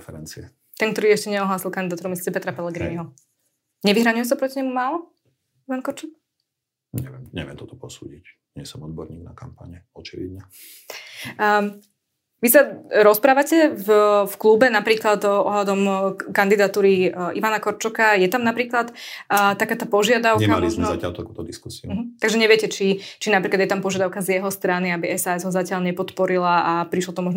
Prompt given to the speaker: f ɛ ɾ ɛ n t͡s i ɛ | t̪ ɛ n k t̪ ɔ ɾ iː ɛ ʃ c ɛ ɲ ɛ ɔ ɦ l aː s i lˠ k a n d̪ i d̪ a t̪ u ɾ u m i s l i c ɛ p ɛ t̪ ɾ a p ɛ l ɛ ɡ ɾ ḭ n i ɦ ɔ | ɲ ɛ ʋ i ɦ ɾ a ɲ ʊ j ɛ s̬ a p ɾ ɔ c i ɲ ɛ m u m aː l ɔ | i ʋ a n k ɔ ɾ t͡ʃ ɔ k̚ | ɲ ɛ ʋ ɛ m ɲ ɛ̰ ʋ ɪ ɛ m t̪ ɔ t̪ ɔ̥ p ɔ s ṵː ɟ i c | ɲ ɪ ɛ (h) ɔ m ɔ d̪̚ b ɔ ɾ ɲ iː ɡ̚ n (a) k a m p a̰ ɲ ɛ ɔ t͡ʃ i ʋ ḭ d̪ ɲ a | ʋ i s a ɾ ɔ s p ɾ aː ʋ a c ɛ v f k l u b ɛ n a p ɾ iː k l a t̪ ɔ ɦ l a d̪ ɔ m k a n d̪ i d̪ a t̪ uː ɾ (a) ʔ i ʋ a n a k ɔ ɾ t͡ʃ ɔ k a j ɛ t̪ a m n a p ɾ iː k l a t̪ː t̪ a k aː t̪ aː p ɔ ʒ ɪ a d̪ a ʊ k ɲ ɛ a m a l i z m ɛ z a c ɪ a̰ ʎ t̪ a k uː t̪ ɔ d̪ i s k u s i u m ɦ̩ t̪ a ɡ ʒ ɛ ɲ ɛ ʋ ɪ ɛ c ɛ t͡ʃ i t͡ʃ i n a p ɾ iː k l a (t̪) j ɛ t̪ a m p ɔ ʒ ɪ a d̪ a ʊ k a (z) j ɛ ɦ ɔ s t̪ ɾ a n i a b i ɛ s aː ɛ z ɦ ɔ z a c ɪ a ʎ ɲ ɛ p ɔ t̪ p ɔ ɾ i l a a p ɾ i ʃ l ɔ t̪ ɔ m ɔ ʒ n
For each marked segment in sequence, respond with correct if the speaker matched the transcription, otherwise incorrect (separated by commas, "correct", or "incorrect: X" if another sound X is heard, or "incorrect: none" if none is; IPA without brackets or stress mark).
incorrect: s, correct, incorrect: i, incorrect: d̪, correct